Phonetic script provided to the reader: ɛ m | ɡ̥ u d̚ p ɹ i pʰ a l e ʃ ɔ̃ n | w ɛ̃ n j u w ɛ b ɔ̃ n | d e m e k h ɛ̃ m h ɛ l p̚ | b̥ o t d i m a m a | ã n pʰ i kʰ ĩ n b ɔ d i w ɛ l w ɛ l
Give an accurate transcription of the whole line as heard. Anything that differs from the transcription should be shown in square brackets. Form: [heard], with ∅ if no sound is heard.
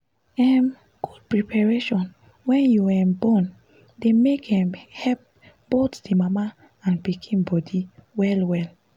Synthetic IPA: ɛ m | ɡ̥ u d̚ p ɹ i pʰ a [ɹ] e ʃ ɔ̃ n | w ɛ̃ n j u w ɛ b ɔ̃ n | d e m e k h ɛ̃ m h ɛ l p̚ | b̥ o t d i m a m a | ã n [p] i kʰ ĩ n b ɔ d i w ɛ l w ɛ l